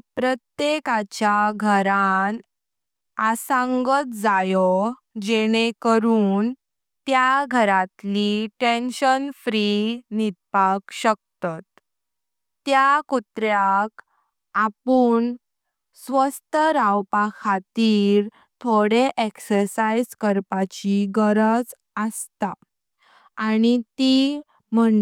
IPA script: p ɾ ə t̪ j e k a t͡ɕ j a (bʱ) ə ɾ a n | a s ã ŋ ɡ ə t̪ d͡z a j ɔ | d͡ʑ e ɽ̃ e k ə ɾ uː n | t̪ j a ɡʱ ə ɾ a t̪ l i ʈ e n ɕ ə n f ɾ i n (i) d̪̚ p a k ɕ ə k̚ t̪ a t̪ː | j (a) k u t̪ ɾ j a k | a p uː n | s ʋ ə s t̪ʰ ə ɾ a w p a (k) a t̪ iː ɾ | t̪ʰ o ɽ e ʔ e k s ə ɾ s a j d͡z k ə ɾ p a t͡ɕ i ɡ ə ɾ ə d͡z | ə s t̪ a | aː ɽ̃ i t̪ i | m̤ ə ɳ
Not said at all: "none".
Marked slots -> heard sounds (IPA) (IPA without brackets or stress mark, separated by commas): ɡʱ, i, a, kʰ